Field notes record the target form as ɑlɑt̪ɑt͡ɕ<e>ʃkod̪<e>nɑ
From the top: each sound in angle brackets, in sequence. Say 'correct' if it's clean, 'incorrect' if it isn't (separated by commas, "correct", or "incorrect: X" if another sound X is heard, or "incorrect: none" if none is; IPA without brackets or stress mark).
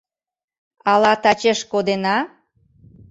correct, correct